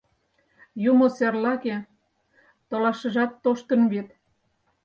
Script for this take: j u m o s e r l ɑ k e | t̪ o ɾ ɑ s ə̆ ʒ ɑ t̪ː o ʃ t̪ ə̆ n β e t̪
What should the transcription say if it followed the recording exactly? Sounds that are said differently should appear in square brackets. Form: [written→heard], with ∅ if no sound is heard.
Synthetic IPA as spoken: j u m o s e r l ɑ k e | t̪ o [ɾ→l] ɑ [s→ʃ] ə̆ ʒ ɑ t̪ː o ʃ t̪ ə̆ n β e t̪